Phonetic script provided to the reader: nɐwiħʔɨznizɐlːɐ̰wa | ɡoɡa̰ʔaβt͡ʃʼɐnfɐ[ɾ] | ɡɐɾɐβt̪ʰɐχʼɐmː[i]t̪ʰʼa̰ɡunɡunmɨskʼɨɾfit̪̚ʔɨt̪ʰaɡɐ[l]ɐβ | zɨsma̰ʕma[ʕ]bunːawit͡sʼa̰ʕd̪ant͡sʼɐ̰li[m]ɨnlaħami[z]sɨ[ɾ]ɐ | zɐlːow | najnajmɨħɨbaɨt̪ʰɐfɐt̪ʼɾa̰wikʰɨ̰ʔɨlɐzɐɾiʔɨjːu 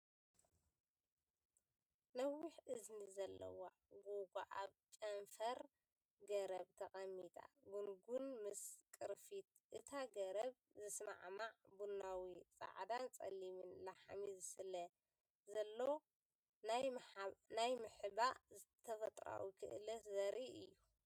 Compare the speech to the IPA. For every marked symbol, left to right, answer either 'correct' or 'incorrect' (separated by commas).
correct, correct, incorrect, correct, correct, correct, incorrect